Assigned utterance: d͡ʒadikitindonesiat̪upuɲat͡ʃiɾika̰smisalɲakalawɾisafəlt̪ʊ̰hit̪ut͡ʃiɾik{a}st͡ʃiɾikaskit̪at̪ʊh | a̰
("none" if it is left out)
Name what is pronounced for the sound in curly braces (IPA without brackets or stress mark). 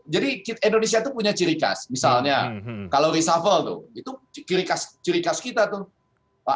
a